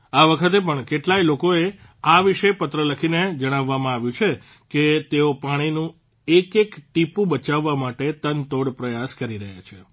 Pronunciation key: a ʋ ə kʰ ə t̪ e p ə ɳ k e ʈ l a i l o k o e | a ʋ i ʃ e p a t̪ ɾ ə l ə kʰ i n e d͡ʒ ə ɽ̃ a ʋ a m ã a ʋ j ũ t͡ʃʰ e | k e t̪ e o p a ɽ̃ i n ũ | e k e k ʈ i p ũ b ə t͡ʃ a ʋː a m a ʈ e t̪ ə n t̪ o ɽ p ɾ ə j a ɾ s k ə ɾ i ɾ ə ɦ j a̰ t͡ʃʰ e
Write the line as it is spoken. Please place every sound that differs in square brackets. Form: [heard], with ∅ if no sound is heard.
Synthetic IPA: a ʋ ə kʰ ə t̪ e p ə ɳ k e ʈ l a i l o k o e | a ʋ i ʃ e p [ə] t̪ ɾ ə l ə kʰ i n e d͡ʒ ə ɽ̃ a [ʋː] a m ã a ʋ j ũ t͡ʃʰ e | k e t̪ e o p a ɽ̃ i n ũ | e k e k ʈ i p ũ b ə t͡ʃ a ʋː a m a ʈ e t̪ ə n t̪ o ɽ p ɾ ə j a [∅] s k ə ɾ i ɾ ə ɦ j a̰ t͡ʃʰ e